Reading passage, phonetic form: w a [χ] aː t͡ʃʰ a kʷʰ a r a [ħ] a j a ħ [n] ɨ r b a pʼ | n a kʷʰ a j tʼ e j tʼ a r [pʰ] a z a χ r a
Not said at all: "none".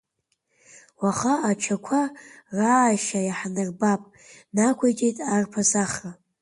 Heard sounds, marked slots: χ, ʃ, n, pʰ

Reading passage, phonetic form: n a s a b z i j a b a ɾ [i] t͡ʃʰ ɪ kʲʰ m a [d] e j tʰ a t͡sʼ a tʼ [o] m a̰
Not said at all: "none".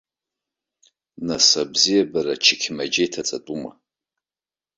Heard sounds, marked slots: a, d͡ʒ, u

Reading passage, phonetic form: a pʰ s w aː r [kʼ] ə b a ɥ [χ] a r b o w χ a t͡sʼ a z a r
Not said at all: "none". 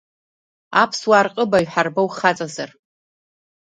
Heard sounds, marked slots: qʼ, ħ

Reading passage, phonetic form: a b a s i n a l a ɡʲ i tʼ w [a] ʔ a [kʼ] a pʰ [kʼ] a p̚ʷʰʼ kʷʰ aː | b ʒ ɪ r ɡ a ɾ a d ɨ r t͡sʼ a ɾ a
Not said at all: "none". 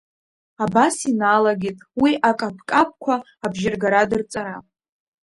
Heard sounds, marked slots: i, kʼ, kʼ

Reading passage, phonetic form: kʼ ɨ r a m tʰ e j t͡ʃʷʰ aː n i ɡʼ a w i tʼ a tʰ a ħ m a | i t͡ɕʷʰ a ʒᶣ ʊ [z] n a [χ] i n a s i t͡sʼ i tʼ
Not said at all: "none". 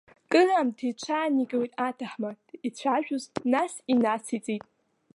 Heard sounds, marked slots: z, s

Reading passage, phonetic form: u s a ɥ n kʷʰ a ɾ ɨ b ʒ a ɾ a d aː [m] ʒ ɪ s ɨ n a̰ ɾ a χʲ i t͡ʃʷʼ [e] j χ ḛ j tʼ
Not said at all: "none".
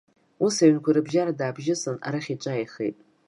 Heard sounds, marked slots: b, a

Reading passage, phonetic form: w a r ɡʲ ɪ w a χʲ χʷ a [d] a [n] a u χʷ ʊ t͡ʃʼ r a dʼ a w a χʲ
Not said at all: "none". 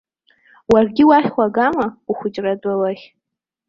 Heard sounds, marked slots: ɡ, m

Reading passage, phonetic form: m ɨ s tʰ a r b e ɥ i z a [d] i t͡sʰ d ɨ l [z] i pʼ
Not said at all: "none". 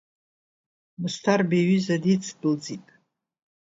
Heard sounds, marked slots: d, d͡z

